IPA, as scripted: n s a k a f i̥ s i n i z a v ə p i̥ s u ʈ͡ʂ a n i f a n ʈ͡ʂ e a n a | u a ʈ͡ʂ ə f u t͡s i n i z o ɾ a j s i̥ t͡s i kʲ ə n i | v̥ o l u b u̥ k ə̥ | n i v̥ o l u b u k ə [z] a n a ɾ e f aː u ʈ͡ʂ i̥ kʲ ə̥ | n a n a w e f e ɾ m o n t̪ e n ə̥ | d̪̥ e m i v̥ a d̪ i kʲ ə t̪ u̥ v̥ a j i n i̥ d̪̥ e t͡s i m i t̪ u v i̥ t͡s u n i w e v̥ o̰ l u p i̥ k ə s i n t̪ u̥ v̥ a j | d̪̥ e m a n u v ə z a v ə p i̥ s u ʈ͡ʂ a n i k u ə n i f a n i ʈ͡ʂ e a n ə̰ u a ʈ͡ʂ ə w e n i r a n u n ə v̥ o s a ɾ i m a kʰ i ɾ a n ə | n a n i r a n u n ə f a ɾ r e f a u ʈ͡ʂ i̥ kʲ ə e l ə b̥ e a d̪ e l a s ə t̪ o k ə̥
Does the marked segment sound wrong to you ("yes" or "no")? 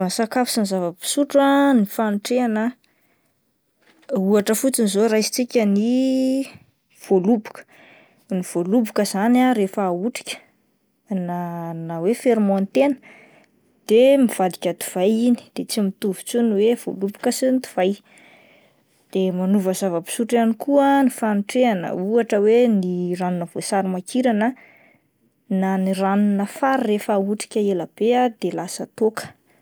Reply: no